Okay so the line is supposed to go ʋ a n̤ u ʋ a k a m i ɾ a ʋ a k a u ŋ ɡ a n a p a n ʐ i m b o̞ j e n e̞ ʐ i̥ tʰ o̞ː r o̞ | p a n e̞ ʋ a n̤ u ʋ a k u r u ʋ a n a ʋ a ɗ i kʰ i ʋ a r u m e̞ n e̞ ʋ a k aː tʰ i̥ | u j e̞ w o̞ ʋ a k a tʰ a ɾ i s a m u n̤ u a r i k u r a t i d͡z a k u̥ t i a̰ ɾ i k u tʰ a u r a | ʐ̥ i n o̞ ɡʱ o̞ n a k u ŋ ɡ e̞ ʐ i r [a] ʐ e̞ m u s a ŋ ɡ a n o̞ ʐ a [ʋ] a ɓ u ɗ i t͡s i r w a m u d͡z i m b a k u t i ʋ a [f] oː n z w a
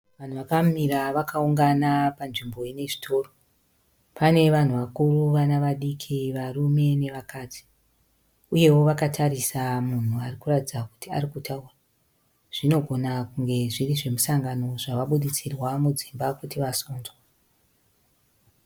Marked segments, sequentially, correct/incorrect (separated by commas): incorrect, correct, incorrect